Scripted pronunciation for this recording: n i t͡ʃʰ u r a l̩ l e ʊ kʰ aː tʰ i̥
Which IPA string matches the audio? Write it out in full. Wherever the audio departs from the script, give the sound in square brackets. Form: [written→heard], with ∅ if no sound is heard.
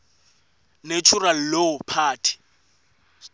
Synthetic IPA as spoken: n [i→e] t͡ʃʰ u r a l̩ l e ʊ [kʰ→pʰ] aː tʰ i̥